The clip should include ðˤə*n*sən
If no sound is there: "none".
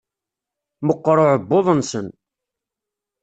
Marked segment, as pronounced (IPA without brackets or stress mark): n